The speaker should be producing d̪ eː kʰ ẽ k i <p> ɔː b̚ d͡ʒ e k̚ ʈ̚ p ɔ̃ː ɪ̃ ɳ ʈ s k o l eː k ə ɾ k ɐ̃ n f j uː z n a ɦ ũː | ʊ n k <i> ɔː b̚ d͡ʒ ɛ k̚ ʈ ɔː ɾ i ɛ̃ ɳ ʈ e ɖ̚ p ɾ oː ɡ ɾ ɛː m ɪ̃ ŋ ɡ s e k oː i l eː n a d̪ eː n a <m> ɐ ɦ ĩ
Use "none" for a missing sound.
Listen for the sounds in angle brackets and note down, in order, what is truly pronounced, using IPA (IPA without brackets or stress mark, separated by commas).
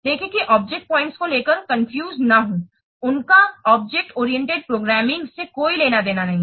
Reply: ʔ, a, n